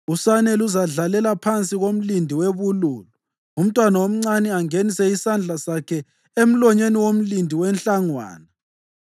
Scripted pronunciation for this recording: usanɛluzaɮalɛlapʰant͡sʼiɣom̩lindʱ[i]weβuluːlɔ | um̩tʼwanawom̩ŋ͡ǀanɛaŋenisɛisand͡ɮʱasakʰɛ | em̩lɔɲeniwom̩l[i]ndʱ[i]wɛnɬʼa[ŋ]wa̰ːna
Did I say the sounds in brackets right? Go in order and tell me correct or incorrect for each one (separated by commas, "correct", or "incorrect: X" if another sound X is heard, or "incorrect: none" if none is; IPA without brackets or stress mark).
correct, correct, correct, correct